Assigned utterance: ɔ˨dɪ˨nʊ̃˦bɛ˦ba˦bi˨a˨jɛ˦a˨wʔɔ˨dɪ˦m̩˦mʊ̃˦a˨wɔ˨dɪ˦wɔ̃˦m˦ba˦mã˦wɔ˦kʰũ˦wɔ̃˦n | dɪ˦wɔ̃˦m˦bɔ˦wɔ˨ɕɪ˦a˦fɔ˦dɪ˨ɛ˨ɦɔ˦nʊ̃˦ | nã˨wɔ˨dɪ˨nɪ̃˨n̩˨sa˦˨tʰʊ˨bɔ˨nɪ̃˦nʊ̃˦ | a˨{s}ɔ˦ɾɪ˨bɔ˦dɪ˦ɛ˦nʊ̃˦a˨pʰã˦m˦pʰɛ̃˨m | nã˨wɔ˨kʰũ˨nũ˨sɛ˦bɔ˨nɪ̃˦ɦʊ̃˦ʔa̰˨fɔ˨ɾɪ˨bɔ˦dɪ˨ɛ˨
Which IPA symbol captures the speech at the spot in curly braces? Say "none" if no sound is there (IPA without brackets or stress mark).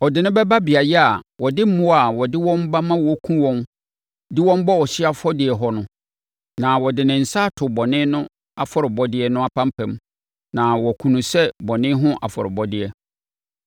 f